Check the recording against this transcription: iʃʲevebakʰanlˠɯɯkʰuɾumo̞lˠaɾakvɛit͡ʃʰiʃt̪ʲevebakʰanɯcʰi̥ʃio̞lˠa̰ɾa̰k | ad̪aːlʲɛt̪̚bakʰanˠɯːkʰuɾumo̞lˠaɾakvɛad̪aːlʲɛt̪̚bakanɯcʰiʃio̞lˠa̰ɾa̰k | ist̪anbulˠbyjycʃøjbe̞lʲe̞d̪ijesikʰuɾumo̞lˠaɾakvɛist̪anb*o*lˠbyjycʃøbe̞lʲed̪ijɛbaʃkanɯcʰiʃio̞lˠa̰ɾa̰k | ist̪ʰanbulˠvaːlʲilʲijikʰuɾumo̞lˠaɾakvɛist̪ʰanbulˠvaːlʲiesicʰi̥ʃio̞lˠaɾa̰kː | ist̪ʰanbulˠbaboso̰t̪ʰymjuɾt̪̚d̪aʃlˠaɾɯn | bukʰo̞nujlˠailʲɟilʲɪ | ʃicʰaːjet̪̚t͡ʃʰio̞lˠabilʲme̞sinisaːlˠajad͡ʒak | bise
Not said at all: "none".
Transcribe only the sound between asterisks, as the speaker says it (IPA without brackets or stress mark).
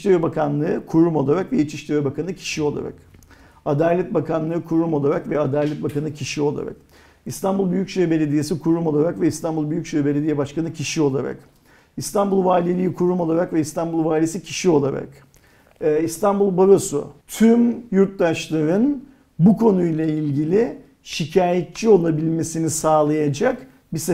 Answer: u